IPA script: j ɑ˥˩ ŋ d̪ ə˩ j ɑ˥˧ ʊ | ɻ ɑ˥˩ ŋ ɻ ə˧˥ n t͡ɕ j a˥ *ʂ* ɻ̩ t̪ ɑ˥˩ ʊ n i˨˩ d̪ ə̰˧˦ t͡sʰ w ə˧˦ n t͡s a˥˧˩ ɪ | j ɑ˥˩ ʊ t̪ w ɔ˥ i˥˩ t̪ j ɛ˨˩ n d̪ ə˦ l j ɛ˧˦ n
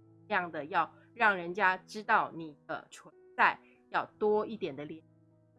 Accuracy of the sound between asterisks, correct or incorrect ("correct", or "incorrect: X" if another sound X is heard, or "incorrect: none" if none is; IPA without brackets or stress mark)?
incorrect: ʈ͡ʂ